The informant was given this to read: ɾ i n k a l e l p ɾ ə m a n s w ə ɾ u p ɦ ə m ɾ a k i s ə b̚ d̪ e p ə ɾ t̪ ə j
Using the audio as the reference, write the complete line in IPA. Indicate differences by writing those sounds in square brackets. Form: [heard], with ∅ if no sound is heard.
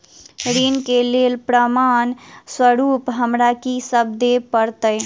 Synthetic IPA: ɾ i n k [e] l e l p ɾ ə m a n s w ə ɾ u p ɦ ə m ɾ a k i s ə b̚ d̪ e p ə ɾ t̪ ə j